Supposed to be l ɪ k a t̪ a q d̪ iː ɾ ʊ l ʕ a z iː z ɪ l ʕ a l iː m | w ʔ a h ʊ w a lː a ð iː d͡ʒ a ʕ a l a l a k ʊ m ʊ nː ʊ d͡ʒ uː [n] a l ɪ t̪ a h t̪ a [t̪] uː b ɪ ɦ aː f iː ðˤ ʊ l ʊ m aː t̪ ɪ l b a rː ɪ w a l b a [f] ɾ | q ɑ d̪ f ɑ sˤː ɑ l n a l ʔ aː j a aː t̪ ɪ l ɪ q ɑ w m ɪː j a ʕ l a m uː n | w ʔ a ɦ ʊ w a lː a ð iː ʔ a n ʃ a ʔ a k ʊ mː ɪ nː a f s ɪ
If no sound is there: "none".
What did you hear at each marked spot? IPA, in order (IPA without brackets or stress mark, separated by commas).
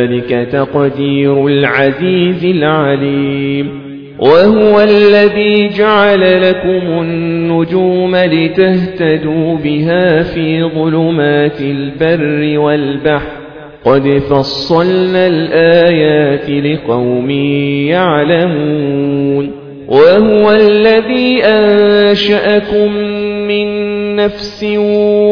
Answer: m, d̪, ħ